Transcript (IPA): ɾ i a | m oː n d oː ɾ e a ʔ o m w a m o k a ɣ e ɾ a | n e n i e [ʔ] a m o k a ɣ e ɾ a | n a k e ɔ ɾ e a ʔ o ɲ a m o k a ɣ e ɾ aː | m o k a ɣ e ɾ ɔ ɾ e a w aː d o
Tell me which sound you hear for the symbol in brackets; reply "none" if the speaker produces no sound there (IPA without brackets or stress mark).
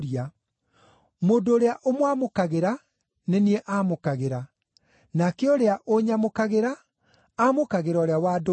ʔ